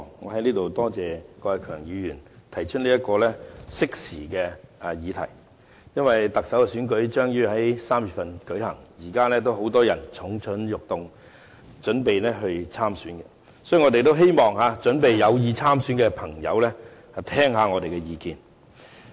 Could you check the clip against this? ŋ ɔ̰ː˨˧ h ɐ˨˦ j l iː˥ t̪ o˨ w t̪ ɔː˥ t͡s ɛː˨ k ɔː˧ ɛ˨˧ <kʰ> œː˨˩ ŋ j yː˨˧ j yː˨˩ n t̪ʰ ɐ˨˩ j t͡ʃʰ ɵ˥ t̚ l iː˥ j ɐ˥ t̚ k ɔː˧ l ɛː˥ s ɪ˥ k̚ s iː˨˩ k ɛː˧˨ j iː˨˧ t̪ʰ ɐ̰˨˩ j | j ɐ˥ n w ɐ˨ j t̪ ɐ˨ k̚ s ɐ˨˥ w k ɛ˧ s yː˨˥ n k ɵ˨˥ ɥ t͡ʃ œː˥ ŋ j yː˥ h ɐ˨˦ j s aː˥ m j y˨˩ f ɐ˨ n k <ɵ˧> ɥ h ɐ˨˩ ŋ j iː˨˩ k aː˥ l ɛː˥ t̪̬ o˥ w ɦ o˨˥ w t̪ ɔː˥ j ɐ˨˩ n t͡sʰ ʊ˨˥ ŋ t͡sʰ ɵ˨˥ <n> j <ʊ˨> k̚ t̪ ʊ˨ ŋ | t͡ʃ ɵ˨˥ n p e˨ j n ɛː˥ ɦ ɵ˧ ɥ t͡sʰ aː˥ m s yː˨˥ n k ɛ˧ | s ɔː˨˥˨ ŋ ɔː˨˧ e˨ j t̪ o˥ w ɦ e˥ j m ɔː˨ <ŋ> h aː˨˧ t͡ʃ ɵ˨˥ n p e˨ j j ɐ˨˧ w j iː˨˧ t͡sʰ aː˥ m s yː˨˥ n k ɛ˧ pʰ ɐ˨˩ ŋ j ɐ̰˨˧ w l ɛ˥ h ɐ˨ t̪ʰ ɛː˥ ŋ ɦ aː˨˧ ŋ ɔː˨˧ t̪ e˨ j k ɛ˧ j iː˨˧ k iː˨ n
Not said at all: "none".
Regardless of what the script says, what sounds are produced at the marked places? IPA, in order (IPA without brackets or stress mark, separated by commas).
kʰ, ɵ˨˥, n, ʊ˨, ŋ